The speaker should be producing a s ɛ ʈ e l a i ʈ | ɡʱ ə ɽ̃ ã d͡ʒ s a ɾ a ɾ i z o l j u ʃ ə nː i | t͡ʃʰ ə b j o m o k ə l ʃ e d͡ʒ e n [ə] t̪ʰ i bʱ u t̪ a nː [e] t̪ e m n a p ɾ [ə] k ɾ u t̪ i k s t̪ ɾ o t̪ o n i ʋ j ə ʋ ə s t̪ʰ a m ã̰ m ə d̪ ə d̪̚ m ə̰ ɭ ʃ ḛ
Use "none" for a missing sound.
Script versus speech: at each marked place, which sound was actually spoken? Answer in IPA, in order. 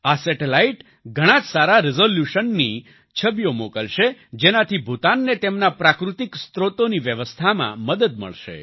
a, e, a

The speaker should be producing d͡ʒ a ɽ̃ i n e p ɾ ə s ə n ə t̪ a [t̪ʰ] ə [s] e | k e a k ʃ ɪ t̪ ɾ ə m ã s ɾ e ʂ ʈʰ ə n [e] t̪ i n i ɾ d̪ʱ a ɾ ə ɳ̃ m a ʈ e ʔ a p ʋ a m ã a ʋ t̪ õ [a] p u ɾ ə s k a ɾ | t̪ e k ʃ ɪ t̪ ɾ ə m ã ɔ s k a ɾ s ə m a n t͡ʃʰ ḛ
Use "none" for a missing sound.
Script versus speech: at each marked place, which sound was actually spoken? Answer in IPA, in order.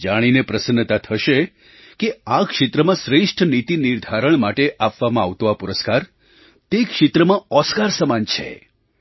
t̪ʰ, ʃ, i, a

